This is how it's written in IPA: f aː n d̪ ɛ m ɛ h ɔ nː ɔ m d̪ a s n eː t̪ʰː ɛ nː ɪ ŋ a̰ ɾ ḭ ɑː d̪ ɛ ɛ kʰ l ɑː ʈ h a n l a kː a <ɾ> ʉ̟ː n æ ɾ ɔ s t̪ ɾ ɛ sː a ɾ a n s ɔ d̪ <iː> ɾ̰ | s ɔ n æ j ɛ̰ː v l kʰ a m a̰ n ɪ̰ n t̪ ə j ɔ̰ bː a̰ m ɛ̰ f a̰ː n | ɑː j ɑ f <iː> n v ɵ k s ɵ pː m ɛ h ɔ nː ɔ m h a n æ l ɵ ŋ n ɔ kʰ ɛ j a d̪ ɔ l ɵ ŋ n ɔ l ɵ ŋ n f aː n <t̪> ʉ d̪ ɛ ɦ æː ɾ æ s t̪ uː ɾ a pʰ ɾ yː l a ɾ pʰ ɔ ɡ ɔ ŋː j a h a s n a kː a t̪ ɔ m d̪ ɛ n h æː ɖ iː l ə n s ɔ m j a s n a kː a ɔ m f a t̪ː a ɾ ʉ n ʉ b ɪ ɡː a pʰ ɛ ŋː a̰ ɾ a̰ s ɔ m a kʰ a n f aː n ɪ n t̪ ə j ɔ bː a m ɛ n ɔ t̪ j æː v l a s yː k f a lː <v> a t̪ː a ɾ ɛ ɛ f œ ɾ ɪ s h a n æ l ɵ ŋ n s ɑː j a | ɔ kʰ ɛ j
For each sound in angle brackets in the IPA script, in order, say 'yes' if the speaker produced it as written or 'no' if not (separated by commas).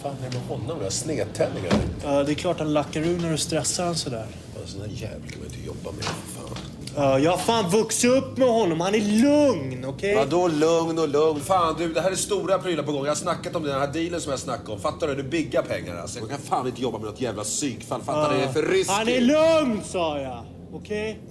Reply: yes, no, no, no, no